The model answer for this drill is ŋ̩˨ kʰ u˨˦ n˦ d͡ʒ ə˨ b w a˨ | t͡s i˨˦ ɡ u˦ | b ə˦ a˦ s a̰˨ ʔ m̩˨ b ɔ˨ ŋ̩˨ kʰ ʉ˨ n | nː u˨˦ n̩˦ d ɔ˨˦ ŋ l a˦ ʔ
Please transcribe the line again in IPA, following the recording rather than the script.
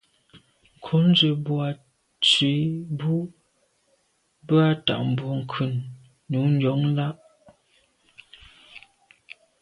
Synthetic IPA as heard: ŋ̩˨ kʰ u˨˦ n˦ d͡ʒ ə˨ b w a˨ | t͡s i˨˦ b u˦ | b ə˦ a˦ t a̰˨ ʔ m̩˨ b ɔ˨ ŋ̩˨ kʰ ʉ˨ n | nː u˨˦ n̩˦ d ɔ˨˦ ŋ l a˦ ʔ